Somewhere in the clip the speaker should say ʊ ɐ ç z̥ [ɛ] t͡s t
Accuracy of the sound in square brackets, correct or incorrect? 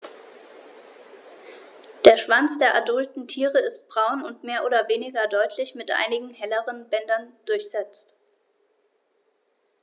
correct